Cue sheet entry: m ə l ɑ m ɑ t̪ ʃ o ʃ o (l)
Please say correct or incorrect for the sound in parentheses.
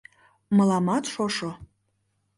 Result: incorrect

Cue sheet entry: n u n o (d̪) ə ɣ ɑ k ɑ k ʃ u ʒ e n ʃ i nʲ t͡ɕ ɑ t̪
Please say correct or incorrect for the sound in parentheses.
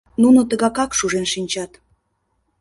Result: incorrect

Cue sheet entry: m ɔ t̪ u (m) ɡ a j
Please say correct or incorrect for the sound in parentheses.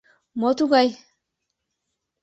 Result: incorrect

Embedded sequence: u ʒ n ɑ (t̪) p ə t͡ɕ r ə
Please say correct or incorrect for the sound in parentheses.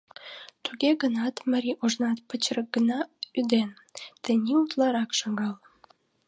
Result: correct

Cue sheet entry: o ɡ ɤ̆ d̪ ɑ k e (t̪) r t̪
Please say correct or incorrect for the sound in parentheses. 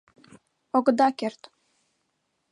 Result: incorrect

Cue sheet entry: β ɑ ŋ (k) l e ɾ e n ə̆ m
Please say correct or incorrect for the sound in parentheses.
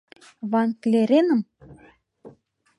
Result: correct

